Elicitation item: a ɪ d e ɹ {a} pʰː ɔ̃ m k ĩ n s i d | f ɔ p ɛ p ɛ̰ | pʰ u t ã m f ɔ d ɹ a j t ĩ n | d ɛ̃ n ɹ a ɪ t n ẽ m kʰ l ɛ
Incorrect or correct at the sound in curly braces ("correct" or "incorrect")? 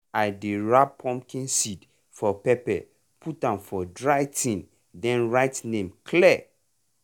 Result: correct